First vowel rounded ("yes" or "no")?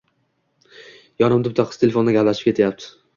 yes